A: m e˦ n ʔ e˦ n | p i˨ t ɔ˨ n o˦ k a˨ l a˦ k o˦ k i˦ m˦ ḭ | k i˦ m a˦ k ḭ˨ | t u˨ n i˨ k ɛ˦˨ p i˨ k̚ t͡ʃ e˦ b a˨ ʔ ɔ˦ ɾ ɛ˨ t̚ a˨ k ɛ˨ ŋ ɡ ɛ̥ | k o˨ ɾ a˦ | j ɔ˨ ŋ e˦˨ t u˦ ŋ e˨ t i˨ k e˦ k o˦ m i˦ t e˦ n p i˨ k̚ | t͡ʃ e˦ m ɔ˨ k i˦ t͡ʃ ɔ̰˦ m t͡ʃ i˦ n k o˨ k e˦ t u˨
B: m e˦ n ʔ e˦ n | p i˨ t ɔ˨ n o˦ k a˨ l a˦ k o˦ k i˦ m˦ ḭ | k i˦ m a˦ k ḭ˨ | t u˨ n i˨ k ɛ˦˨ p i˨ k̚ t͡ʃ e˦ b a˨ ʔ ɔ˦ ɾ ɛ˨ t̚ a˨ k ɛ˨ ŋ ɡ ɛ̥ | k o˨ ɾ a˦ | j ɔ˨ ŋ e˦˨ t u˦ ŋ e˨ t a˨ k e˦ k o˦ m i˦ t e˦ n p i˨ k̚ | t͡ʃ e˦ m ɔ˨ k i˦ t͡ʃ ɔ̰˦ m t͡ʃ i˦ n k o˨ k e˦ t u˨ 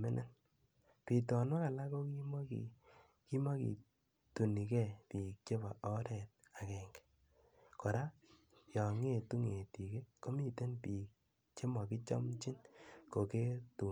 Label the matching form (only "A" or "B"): A